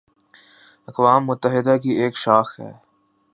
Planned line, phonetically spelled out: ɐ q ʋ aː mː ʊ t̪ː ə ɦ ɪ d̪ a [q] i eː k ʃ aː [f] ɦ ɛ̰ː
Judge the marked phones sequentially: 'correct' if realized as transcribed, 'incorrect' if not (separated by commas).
incorrect, incorrect